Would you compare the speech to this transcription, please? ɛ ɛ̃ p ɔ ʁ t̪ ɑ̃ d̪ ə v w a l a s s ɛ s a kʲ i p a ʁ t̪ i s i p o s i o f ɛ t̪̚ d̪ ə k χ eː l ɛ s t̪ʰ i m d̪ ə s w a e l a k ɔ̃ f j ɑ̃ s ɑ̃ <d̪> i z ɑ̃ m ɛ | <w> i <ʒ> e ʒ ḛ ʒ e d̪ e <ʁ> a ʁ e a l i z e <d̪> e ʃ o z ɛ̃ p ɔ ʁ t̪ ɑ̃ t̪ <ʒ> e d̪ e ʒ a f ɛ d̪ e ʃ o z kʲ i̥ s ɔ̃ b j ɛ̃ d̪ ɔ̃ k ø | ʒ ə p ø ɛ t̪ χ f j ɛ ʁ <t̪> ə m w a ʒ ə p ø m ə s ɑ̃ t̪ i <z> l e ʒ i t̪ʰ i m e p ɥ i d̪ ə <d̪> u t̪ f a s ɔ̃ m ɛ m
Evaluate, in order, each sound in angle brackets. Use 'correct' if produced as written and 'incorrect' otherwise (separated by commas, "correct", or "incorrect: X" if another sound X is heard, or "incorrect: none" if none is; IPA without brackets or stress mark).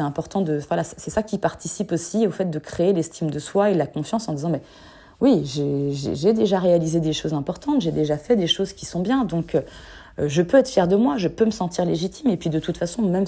correct, correct, correct, incorrect: ʒ, correct, correct, incorrect: d̪, incorrect: ʁ, incorrect: t̪